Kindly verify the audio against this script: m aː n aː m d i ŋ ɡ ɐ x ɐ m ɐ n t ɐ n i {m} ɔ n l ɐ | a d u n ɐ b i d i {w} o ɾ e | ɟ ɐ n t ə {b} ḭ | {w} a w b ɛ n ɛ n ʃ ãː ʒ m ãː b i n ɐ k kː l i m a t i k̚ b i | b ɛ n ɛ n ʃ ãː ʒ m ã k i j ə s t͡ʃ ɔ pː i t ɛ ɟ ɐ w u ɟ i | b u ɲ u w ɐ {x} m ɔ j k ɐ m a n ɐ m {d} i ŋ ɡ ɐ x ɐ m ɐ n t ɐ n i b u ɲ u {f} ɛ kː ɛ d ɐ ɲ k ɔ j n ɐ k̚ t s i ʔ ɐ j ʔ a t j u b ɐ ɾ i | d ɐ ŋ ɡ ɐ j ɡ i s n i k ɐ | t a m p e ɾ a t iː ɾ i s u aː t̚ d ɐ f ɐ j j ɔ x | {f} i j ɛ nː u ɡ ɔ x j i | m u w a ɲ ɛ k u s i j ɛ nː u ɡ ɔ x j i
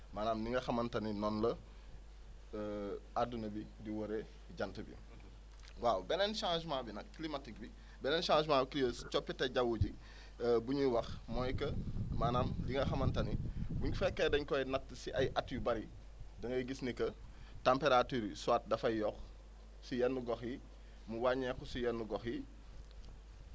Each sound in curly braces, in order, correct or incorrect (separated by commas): incorrect, correct, correct, correct, correct, correct, correct, incorrect